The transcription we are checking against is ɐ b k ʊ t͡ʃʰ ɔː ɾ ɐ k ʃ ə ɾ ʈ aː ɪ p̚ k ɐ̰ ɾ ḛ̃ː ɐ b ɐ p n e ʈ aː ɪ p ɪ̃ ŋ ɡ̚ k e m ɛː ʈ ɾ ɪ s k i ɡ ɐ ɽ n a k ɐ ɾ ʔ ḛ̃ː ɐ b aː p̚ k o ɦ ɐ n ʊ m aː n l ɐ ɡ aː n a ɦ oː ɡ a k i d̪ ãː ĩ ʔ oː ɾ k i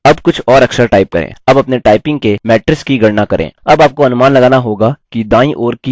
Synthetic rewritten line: ɐ b k ʊ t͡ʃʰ ɔː ɾ ɐ k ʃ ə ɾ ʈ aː ɪ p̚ k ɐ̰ ɾ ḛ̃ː ɐ b ɐ p n e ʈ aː ɪ p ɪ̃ ŋ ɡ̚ k e m ɛː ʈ ɾ ɪ s k i ɡ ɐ ɽ n a k ɐ ɾ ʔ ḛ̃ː ɐ b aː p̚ k o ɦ ɐ n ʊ m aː n l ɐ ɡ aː n a ɦ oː ɡ a k i d̪ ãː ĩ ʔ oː ɾ k i